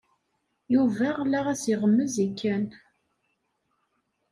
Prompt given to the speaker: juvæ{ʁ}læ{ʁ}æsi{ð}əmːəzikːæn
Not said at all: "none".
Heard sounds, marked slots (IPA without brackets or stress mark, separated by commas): ʁ, ʁ, ʁ